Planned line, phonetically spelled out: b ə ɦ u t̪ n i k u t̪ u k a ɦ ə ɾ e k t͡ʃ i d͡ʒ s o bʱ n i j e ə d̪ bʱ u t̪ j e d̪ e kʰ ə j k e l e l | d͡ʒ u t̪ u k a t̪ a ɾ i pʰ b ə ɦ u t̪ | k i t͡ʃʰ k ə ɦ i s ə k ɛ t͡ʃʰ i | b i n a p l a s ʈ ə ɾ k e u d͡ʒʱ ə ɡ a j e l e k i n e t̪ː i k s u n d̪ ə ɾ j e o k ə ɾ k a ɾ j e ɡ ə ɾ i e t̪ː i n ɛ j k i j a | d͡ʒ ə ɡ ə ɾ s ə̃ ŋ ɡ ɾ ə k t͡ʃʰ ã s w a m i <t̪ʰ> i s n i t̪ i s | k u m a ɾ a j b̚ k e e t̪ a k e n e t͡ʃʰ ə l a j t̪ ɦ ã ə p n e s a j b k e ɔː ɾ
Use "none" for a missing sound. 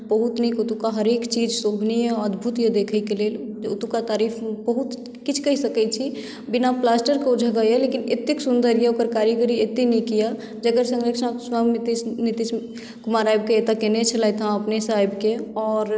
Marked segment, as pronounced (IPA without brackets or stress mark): t̪